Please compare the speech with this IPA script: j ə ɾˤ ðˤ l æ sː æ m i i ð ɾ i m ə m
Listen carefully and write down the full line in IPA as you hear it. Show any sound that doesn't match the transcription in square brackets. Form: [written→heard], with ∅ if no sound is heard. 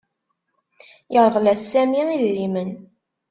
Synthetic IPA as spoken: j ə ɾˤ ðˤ l æ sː æ m i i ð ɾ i m ə [m→n]

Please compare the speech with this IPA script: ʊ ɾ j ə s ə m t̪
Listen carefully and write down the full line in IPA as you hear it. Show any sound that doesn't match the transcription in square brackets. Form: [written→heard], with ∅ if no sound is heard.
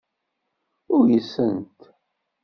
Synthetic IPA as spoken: ʊ ɾ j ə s ə [m→n] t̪

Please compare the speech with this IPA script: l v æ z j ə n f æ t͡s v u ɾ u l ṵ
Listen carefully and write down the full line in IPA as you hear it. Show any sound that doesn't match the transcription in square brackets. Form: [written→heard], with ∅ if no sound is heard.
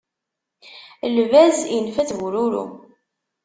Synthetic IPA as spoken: l v æ z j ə n f æ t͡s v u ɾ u [l→ɾ] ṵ

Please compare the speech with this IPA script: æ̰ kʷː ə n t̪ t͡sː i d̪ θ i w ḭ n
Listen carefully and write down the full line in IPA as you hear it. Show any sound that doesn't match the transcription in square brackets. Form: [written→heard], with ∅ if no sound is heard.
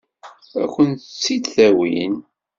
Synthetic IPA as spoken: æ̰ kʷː ə n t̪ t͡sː i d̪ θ [i→æ] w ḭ n

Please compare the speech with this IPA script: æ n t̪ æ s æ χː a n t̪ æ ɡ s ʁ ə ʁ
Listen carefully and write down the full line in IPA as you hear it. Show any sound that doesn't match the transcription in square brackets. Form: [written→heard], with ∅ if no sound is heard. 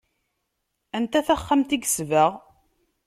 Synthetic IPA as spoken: æ n t̪ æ [s→θ] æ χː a [n→m] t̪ [æ→i] ɡ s [ʁ→v] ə ʁ

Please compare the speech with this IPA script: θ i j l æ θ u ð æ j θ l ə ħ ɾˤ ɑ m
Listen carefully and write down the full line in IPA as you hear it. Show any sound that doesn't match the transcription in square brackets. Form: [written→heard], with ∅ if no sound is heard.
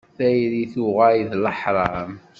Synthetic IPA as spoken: θ [i→æ] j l [æ→i] θ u [ð→ʁ] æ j [θ→ð] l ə ħ ɾˤ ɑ m

